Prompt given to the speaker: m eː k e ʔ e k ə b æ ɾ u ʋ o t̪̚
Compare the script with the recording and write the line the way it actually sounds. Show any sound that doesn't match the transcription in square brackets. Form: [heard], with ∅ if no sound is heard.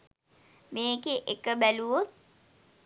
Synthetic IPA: m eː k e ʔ e k ə b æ [l] u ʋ o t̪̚

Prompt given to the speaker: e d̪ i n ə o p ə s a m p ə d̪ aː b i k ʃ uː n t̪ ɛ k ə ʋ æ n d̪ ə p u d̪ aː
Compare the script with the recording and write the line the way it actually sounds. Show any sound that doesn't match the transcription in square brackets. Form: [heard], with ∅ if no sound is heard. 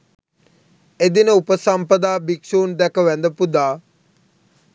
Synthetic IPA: e d̪ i n ə [u] p ə s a m p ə d̪ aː b i k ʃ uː n [d̪] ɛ k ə ʋ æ n d̪ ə p u d̪ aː

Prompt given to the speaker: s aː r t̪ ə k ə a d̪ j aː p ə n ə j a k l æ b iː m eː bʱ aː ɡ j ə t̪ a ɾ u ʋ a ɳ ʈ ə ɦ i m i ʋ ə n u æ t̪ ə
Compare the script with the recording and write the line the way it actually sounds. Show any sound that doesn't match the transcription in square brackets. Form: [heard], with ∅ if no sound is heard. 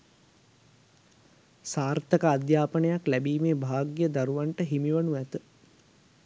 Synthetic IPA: s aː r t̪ ə k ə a d̪ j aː p ə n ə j a k l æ b iː m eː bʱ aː ɡ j ə [d̪] a ɾ u ʋ a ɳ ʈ ə ɦ i m i ʋ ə n u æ t̪ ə

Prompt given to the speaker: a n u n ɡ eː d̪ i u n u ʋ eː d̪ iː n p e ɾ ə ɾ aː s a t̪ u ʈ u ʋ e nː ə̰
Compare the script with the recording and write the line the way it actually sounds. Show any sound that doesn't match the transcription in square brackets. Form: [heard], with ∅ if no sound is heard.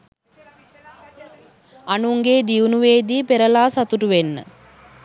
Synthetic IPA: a n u [ŋ] ɡ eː d̪ i u n u ʋ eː d̪ iː [∅] p e ɾ ə [l] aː s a t̪ u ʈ u ʋ e nː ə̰

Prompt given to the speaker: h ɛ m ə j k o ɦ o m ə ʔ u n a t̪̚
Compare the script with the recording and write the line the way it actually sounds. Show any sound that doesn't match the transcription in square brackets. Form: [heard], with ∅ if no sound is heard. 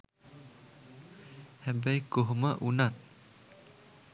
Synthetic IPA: h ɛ [b] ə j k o ɦ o m ə ʔ u n a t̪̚

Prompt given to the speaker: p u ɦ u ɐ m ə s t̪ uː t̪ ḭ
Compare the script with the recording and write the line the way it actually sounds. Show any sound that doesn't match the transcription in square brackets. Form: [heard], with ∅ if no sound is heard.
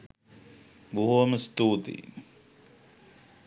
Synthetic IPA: [b] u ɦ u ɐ m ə s t̪ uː t̪ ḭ

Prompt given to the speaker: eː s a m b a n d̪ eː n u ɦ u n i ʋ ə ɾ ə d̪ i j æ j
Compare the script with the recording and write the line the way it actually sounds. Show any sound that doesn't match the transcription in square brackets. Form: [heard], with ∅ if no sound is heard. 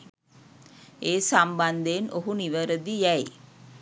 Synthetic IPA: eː s a m b a n d̪ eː n [o] ɦ u n i ʋ ə ɾ ə d̪ i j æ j

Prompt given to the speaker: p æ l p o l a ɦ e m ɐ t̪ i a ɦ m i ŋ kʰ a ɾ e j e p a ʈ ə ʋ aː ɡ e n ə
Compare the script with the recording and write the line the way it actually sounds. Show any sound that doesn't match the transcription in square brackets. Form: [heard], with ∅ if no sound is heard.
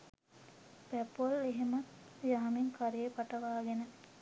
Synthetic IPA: p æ [∅] p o l [e] ɦ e m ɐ t̪ [j] a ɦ m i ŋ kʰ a ɾ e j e p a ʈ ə ʋ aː ɡ e n ə

